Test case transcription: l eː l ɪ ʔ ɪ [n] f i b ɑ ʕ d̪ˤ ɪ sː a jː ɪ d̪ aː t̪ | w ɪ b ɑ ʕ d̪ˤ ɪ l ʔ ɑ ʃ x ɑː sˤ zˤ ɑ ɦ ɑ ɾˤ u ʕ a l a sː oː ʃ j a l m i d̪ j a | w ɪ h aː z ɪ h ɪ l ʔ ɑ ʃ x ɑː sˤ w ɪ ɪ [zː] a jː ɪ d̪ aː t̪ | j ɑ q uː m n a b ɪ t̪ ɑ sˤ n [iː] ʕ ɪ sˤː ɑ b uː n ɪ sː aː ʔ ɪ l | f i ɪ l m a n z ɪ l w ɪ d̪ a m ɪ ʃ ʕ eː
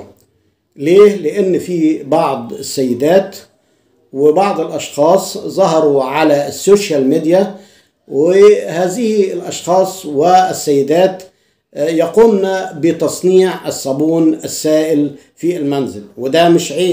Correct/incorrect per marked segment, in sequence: incorrect, incorrect, correct

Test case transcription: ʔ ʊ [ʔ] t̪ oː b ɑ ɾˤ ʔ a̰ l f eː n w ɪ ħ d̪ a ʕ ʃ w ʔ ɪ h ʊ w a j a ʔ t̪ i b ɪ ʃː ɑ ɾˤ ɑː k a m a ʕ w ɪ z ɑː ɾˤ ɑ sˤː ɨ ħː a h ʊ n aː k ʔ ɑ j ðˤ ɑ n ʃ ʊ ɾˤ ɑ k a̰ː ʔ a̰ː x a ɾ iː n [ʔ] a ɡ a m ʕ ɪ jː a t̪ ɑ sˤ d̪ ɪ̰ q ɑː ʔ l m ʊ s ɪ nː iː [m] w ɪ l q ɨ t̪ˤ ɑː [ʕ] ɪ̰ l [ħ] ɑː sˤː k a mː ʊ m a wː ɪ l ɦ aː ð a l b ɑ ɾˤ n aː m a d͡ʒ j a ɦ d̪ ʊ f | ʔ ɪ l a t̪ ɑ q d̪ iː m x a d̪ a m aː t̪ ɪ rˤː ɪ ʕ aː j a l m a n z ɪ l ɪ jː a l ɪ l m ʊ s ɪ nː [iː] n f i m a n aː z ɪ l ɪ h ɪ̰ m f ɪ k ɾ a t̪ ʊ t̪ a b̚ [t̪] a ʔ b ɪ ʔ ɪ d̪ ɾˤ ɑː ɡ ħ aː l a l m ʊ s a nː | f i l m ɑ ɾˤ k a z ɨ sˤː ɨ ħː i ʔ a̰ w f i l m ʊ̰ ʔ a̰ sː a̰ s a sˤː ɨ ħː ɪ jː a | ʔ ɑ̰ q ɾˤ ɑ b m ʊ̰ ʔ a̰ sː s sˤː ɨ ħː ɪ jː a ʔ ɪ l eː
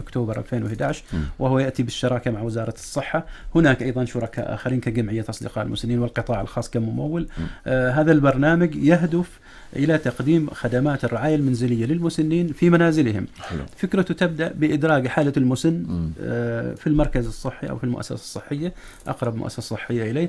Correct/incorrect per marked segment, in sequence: incorrect, incorrect, incorrect, correct, incorrect, correct, incorrect

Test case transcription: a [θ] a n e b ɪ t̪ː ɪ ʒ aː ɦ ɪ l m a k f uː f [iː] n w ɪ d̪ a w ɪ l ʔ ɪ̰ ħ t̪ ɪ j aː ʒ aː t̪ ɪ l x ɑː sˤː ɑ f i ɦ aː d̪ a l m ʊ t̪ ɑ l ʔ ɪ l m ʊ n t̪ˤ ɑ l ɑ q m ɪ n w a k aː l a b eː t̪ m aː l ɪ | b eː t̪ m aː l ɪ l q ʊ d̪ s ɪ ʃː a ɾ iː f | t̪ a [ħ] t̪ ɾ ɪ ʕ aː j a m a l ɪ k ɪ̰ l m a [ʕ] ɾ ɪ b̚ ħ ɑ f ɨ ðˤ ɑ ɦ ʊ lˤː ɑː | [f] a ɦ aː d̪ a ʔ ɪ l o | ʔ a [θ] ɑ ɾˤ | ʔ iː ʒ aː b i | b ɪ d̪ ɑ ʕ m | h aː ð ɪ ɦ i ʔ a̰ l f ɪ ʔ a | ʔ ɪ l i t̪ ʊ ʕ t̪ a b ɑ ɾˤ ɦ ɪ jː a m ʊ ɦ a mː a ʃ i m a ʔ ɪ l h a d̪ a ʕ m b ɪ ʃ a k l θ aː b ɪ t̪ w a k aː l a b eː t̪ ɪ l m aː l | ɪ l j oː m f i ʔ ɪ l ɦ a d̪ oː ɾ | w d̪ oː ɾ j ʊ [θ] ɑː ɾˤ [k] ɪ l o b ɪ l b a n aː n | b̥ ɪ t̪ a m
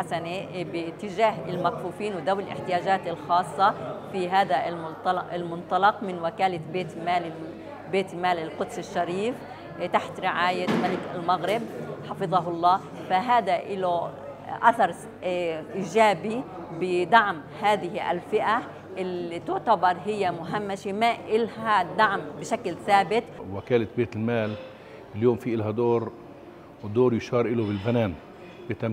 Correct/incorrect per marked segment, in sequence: incorrect, correct, correct, incorrect, correct, correct, incorrect, incorrect

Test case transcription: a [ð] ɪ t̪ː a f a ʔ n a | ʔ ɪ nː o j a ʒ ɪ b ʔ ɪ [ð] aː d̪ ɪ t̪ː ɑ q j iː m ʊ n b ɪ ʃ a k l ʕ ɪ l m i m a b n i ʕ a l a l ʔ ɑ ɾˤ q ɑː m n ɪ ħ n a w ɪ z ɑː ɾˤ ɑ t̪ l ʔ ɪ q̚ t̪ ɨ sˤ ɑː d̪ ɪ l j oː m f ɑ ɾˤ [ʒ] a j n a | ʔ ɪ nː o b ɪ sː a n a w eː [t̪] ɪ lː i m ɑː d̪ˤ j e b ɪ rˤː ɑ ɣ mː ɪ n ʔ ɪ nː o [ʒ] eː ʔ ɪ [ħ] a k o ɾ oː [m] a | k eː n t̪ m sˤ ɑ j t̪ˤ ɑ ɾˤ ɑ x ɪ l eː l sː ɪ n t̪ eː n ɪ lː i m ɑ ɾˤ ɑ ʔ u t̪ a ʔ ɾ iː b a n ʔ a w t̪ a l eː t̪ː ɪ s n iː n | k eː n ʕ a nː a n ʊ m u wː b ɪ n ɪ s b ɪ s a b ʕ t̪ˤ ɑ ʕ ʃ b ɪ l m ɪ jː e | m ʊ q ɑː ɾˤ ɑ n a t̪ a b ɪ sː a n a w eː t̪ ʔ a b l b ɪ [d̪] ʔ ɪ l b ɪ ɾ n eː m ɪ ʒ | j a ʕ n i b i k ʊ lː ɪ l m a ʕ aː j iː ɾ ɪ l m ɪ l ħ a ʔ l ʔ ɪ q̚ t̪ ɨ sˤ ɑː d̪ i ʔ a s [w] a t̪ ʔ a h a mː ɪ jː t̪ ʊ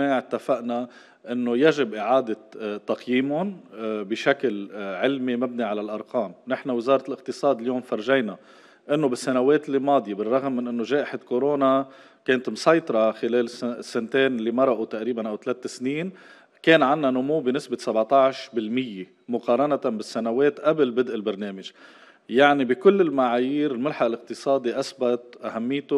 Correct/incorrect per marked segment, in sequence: incorrect, incorrect, correct, correct, correct, correct, incorrect, correct, incorrect

